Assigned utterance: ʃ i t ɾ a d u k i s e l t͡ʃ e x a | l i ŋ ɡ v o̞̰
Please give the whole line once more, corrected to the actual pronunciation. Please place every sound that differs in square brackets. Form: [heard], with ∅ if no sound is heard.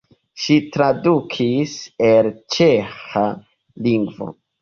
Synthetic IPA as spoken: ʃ i t ɾ a d u [kʰ] i s e l t͡ʃ e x a | l i ŋ ɡ v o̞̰